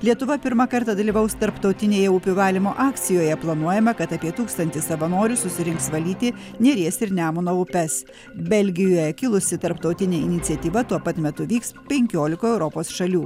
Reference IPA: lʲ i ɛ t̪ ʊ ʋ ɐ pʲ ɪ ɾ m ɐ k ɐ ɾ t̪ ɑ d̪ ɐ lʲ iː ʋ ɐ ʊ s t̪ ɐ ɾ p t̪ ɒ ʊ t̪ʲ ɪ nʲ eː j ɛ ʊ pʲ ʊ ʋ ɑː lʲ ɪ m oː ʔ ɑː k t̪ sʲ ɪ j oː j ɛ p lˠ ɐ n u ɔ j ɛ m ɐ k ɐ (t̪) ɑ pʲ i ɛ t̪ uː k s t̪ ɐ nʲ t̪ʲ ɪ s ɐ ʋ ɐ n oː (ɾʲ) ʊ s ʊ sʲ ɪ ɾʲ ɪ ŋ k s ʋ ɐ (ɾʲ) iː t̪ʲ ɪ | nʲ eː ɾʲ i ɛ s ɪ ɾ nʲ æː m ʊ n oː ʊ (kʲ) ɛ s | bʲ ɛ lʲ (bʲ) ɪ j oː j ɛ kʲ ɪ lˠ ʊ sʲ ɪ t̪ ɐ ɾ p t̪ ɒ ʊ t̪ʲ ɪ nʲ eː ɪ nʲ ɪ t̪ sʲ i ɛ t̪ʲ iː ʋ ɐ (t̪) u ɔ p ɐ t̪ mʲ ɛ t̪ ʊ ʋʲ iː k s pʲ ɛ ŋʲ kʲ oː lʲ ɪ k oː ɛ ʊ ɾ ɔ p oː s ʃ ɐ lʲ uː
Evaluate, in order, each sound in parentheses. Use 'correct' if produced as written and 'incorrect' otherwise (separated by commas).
correct, correct, incorrect, incorrect, incorrect, correct